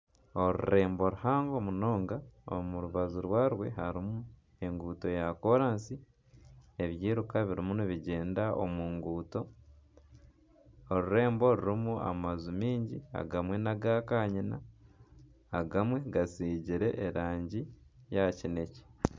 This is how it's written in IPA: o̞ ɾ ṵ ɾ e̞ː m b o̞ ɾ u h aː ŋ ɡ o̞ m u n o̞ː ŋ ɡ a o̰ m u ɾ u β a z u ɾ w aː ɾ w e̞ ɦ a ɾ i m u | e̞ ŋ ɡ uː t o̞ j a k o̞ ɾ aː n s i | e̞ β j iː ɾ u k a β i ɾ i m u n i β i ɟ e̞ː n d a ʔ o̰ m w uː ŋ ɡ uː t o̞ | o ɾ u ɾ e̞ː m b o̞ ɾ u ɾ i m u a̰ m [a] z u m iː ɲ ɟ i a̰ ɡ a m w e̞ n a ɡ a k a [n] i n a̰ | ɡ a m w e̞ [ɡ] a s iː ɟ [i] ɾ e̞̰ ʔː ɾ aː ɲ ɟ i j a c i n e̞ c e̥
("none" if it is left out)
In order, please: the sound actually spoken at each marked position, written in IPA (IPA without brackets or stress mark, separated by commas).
a, ɲ, ɡ, i